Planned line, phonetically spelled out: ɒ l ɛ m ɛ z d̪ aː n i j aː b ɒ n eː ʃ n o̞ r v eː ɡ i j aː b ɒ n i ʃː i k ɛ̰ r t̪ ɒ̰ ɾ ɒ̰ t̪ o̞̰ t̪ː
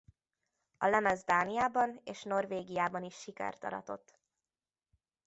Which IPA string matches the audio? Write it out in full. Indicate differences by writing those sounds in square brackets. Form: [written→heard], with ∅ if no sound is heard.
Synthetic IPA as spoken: ɒ l ɛ m ɛ z d̪ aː n i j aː b ɒ n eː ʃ n o̞ r v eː ɡ i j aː b ɒ n i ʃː i k ɛ̰ r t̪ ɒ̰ ɾ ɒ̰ t̪ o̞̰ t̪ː